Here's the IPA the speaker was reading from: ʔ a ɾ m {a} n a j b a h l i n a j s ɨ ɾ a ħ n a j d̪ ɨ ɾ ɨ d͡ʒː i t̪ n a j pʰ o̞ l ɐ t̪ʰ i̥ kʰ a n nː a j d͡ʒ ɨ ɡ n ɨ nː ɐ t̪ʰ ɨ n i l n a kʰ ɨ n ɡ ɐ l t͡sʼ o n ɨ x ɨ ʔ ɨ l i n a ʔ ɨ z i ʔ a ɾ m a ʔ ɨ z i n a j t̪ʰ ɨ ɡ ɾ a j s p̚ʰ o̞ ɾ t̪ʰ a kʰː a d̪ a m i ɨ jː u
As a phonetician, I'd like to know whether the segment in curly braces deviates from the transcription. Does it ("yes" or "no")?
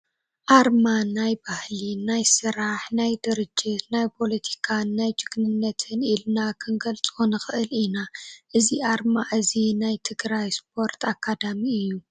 no